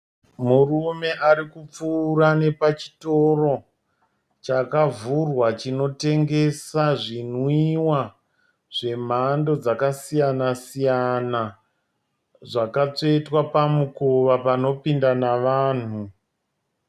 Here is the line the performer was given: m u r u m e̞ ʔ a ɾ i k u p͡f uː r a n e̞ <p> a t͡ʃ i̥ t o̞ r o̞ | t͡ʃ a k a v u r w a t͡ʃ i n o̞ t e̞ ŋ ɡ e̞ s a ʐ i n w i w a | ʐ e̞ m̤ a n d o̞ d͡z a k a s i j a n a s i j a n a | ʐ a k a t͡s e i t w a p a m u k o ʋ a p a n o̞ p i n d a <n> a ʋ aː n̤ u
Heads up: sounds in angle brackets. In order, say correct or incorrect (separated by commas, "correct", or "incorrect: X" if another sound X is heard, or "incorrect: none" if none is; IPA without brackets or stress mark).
correct, correct